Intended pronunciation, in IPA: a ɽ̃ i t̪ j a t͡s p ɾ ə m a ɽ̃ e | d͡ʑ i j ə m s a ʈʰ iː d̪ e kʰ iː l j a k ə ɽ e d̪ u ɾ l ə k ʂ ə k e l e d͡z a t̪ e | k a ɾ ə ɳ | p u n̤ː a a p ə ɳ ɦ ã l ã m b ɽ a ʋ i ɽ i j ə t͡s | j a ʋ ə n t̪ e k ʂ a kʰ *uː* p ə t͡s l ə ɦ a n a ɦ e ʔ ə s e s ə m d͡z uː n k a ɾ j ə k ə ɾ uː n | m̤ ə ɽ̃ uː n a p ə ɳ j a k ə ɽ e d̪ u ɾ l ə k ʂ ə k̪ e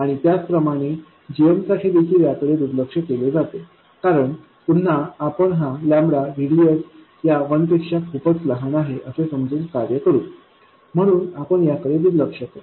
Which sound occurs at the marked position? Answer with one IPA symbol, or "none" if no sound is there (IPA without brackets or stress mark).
u